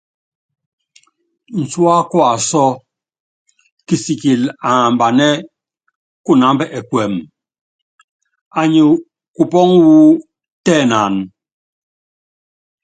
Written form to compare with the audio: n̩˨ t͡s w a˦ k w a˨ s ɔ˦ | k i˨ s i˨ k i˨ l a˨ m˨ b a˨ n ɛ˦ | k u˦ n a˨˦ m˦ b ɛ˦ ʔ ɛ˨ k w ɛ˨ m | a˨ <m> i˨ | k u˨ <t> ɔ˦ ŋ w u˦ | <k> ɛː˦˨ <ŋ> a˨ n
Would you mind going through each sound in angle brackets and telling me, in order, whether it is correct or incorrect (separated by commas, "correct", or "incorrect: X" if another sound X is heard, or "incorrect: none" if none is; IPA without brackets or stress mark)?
incorrect: ɲ, incorrect: p, incorrect: t, incorrect: n